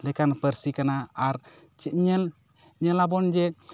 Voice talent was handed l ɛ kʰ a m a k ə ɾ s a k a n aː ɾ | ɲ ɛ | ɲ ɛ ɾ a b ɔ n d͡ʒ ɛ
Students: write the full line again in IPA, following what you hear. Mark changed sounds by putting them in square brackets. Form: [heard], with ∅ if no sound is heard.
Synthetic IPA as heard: l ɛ [k] a [n] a [p] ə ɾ s [i] k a n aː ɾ | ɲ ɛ | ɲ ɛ [l] a b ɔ n d͡ʒ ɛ